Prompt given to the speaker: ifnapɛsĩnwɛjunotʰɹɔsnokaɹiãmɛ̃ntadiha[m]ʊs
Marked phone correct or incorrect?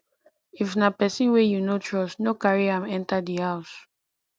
incorrect